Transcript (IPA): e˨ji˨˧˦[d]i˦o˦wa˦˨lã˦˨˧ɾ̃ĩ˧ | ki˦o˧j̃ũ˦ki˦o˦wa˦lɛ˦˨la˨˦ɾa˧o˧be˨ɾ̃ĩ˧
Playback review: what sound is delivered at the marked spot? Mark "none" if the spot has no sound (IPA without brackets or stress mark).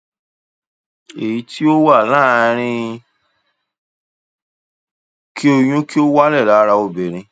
t